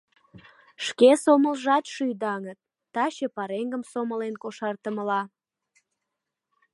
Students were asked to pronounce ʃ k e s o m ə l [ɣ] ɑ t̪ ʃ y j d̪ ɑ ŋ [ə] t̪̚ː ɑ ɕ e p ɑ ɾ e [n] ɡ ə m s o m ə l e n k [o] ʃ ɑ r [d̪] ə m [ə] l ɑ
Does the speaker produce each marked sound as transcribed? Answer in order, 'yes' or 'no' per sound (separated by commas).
no, yes, no, yes, no, yes